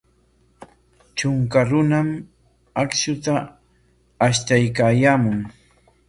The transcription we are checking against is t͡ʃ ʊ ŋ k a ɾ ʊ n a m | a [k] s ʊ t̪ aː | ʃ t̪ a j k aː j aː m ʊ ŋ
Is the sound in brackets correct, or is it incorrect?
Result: correct